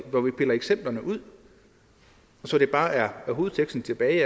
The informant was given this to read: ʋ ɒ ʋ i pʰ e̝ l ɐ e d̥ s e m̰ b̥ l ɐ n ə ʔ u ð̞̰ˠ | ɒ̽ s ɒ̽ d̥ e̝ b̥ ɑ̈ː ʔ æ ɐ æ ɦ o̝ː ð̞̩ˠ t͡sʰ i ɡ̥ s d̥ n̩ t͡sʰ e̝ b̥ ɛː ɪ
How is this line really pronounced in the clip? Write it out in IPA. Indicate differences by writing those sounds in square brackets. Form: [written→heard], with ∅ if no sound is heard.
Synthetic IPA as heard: ʋ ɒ ʋ i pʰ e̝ l ɐ e [d̥→ɡ̥] s e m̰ b̥ l ɐ n ə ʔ u ð̞̰ˠ | ɒ̽ s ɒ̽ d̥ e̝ b̥ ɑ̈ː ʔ æ ɐ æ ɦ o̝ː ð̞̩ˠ t͡sʰ [i→e] ɡ̥ s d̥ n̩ t͡sʰ e̝ b̥ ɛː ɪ